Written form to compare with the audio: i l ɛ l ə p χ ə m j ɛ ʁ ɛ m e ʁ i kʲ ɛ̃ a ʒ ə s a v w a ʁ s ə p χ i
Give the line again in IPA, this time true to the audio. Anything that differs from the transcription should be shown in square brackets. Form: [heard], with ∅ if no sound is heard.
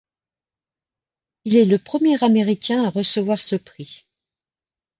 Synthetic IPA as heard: i l ɛ l ə p χ ə m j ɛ ʁ [a] m e ʁ i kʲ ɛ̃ a [ʁ] ə s [ə] v w a ʁ s ə p χ i